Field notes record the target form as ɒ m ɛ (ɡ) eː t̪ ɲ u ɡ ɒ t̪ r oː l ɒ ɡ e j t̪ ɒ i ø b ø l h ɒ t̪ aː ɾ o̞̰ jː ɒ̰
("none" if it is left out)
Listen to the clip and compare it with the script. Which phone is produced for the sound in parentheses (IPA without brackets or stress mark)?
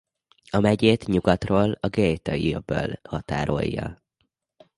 ɟ